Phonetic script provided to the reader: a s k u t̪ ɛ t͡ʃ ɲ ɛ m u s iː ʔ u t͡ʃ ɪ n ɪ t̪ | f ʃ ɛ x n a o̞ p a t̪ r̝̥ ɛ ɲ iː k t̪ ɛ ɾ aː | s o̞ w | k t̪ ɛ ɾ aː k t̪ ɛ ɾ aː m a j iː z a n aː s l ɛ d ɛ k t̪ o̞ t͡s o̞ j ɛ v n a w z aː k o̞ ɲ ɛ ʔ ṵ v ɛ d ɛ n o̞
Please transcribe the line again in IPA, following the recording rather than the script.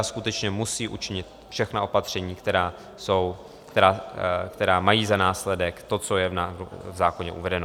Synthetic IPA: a s k u t̪ ɛ t͡ʃ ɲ ɛ m u s iː ʔ u t͡ʃ ɪ ɲ ɪ t̪ | f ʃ ɛ x n a o̞ p a t̪ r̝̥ ɛ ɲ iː k t̪ ɛ ɾ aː | s o̞ w | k t̪ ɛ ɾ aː k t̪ ɛ ɾ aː m a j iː z a n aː s l ɛ d ɛ k t̪ o̞ t͡s o̞ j ɛ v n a v z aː k o̞ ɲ ɛ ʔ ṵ v ɛ d ɛ n o̞